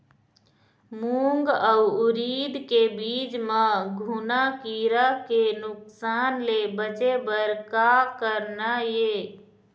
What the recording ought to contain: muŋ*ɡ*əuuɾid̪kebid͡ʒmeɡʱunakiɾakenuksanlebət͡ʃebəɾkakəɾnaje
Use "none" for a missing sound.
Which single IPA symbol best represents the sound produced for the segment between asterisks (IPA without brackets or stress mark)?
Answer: ɡ